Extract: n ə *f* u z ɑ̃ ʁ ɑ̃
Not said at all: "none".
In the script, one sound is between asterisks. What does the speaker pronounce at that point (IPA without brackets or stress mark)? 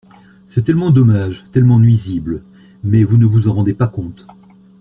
v